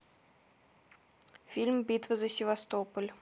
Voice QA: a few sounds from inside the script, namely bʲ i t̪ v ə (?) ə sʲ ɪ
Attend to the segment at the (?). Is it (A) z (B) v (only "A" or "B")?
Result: A